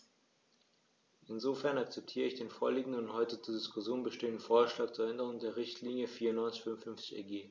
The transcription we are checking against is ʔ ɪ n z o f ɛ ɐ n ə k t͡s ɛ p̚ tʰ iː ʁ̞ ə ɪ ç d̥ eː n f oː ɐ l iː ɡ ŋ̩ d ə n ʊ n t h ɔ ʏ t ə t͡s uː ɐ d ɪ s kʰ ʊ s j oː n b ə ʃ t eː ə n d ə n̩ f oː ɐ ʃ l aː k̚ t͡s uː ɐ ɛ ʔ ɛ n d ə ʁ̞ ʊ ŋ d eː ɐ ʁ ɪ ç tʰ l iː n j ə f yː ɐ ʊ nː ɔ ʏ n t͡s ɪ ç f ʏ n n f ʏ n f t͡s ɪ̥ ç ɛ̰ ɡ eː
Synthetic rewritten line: ʔ ɪ n z o f ɛ ɐ n a k t͡s ɛ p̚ tʰ iː ʁ̞ ə ɪ ç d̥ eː n f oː ɐ l iː ɡ ŋ̩ d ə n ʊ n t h ɔ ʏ t ə t͡s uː ɐ d ɪ s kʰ ʊ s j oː n b ə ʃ t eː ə n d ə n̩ f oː ɐ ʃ l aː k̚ t͡s uː ɐ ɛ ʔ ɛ n d ə ʁ̞ ʊ ŋ d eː ɐ ʁ ɪ ç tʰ l iː n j ə f iː ɐ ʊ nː ɔ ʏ n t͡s ɪ ç f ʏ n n f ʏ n f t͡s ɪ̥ ç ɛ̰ ɡ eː

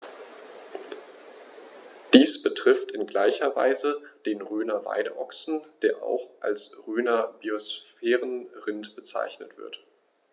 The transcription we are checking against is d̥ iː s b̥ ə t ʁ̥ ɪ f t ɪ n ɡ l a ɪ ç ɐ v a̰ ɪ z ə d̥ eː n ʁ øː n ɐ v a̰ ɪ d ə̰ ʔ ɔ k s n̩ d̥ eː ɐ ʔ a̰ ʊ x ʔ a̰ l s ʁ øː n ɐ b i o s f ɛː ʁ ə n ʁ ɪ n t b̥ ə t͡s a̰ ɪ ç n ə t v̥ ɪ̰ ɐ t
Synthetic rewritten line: d̥ iː s b̥ ə t ʁ̥ ɪ f t ɪ n ɡ l a ɪ ç ɐ v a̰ ɪ z ə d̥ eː n ʁ øː n ɐ v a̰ ɪ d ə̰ ʔ ɔ k s n̩ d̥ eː ɐ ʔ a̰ ʊ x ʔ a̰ l s ʁ øː n ɐ b i o s f ɛː ʁ ə n ʁ ɪ n t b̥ ə t͡s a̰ ɪ ç n ə t v̥ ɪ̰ ɐ t

